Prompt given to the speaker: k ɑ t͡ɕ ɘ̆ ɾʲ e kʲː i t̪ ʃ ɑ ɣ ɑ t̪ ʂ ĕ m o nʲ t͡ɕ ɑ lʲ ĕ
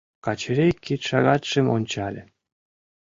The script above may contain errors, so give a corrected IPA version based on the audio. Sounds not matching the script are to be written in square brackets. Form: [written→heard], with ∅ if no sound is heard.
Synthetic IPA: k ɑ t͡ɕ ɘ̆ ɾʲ e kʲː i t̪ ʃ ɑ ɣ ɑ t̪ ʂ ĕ m o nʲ t͡ɕ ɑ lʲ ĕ